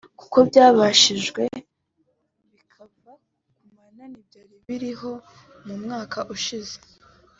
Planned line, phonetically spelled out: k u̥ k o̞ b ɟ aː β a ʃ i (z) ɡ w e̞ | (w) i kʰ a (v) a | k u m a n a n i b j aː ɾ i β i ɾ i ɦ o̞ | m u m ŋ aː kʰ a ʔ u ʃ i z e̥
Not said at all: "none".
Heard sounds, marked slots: ʒ, β, v

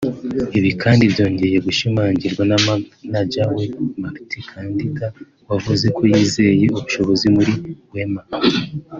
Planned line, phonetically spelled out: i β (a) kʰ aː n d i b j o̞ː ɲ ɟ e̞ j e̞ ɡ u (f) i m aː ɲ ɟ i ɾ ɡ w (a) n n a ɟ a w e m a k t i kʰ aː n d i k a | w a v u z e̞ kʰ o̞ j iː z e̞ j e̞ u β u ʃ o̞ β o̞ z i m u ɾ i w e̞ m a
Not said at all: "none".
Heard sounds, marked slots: i, ʃ, a

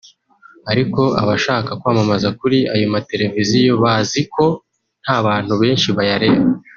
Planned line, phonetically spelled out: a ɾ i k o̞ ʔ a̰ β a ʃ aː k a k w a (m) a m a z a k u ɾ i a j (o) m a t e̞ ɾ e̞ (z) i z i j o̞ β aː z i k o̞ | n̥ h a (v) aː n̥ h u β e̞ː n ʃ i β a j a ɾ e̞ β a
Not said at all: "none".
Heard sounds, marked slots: m, o, v, β

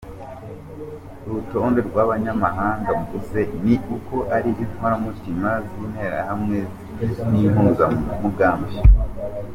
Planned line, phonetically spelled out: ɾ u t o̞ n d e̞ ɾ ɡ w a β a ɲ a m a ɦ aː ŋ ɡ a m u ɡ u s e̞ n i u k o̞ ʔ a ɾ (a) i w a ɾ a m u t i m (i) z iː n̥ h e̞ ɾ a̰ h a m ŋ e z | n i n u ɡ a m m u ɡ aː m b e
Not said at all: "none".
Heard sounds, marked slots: i, a

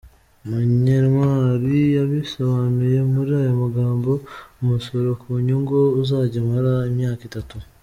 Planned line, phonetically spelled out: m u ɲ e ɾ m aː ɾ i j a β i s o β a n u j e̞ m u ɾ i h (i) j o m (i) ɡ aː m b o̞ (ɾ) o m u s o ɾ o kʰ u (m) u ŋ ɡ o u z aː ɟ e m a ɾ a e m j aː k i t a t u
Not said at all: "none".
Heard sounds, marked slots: a, a, none, ɲ

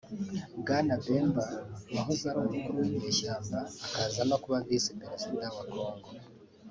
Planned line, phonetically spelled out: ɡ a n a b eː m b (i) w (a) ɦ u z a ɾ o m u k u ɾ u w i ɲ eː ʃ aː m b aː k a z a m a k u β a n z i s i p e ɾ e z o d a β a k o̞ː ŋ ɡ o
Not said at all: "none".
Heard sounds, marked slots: a, a

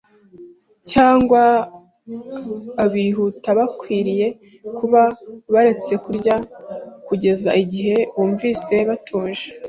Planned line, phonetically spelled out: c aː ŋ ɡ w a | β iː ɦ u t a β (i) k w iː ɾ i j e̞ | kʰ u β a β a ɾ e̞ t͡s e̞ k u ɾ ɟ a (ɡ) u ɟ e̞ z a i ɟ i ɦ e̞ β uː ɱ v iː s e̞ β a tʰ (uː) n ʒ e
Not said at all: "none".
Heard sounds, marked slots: a, k, uː

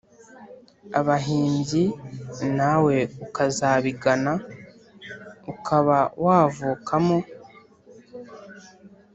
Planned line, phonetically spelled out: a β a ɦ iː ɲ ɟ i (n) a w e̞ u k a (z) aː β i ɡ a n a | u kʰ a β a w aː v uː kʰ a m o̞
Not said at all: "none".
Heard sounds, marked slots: n, z

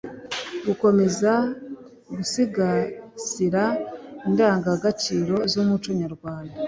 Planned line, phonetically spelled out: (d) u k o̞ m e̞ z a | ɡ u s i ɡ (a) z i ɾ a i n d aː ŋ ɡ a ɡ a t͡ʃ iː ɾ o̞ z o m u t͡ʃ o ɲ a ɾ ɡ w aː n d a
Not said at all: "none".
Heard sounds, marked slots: ɡ, a

